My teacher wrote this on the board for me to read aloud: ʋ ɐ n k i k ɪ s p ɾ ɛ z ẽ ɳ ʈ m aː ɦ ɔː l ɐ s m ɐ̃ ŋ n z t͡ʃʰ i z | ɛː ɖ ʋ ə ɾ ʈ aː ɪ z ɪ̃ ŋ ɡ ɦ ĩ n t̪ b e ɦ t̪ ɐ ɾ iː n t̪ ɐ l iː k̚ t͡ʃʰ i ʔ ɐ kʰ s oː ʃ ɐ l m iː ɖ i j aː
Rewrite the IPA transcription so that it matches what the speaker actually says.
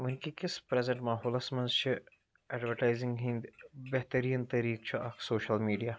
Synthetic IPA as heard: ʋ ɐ n k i k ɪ s p ɾ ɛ z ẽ ɳ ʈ m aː ɦ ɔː l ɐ s m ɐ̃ n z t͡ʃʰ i | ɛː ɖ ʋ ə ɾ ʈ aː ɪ z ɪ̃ ŋ ɡ ɦ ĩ n d̪ b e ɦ t̪ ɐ ɾ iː n t̪ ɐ ɾ iː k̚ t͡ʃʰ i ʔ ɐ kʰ s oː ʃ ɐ l m iː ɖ i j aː